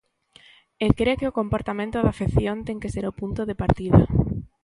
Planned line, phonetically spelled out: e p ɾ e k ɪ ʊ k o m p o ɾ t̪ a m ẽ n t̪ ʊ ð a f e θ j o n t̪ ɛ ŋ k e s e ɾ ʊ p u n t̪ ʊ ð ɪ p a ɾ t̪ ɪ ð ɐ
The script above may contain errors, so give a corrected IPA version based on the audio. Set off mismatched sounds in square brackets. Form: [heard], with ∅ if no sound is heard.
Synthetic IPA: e [k] ɾ e k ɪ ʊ k o m p o ɾ t̪ a m ẽ n t̪ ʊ ð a f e θ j o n t̪ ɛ ŋ k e s e ɾ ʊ p u n t̪ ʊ ð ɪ p a ɾ t̪ [i] ð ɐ